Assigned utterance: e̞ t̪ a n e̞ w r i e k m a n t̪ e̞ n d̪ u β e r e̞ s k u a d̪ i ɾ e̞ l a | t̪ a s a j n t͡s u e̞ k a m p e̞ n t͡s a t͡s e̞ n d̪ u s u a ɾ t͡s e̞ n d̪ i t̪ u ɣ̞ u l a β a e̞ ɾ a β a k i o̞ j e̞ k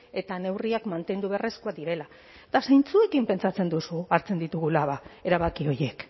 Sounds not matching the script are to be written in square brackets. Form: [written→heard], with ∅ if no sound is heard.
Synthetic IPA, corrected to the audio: e̞ t̪ a n e̞ w r i [e→a] k m a n t̪ e̞ n d̪ u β e r e̞ s k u a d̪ i ɾ e̞ l a | t̪ a s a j n t͡s u e̞ k [a→i] m p e̞ n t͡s a t͡s e̞ n d̪ u s u a ɾ t͡s e̞ n d̪ i t̪ u ɣ̞ u l a β a e̞ ɾ a β a k i o̞ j e̞ k